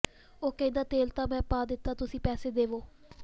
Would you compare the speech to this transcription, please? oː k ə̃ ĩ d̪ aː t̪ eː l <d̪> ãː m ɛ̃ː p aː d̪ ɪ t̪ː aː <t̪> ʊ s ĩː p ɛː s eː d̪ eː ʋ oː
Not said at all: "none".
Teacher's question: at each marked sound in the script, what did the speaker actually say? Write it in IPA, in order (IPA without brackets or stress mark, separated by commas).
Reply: t̪, t̪